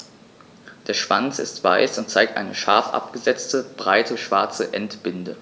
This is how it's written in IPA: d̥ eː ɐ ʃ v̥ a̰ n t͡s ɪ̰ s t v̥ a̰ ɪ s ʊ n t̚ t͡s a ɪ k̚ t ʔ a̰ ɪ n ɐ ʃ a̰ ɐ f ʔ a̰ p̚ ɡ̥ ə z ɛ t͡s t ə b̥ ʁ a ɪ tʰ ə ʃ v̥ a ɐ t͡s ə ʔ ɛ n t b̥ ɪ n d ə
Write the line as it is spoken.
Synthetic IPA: d̥ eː ɐ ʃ v̥ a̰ n t͡s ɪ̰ s t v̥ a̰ ɪ s ʊ n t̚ t͡s a ɪ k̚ t ʔ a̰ ɪ n ə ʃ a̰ ɐ f ʔ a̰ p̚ ɡ̥ ə z ɛ t͡s t ə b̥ ʁ a ɪ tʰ ə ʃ v̥ a ɐ t͡s ə ʔ ɛ n t b̥ ɪ n d ə